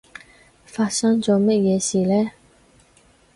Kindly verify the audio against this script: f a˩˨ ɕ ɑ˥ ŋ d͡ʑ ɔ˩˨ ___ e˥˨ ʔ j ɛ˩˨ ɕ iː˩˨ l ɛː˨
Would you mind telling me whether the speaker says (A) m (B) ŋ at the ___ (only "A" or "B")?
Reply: A